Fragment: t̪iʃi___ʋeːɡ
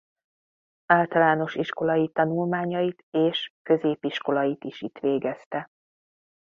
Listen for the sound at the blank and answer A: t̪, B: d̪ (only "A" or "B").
A